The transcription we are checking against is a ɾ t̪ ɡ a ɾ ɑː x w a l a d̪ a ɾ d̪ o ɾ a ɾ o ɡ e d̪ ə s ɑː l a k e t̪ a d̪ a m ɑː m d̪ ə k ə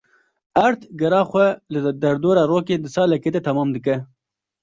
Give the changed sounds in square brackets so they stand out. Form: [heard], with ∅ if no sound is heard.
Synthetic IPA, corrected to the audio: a ɾ t̪ ɡ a ɾ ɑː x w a l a d̪ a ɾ d̪ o ɾ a ɾ o [k] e d̪ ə s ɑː l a k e t̪ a [t̪] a m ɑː m d̪ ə k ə